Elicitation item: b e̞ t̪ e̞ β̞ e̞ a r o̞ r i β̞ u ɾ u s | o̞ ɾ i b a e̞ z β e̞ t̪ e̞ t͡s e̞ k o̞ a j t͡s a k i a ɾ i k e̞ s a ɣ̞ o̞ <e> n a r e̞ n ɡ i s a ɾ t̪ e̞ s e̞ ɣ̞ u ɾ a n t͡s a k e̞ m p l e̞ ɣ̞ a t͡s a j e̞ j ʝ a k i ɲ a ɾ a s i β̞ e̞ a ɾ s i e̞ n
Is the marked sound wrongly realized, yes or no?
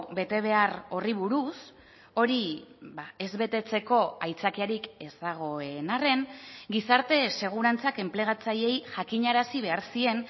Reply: no